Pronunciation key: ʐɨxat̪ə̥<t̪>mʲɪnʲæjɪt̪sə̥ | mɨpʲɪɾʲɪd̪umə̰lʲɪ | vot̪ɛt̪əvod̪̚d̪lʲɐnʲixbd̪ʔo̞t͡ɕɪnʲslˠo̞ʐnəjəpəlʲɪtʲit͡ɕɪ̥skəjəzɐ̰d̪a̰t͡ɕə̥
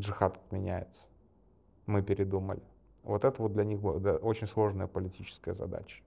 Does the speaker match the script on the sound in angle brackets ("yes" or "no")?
yes